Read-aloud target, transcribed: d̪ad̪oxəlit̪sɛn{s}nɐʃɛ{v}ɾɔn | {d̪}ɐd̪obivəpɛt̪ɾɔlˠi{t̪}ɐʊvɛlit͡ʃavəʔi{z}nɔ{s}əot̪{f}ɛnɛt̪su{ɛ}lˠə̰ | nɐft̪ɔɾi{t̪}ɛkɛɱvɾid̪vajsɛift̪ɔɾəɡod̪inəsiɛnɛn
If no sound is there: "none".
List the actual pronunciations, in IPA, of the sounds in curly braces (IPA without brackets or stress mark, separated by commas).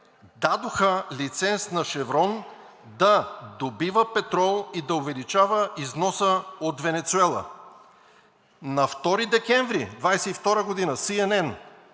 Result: s, v, d̪, d̪, z, s, v, ɛ, d̪